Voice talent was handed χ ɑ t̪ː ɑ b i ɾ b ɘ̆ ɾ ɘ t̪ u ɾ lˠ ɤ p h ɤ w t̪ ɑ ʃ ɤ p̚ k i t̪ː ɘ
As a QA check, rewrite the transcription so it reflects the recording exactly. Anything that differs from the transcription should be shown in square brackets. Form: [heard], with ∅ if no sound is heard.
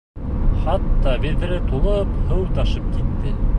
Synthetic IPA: χ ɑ t̪ː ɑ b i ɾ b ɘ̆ ɾ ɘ t̪ u [∅] lˠ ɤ p h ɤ w t̪ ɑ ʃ ɤ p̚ k i t̪ː ɘ